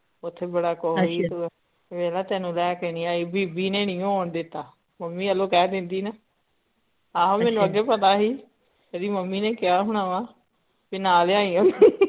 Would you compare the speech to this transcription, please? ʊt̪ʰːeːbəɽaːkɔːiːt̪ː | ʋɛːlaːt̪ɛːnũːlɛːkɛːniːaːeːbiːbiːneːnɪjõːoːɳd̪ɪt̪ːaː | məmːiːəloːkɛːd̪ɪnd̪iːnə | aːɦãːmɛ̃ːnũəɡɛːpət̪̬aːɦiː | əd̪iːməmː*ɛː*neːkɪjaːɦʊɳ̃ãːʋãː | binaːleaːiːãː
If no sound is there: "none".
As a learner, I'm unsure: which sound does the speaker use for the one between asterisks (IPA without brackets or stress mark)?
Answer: iː